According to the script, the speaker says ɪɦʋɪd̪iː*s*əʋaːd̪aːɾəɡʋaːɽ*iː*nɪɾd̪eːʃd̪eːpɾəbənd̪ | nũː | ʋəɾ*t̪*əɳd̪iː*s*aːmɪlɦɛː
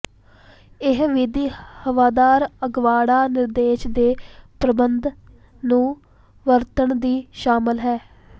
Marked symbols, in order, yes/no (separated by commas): no, no, yes, no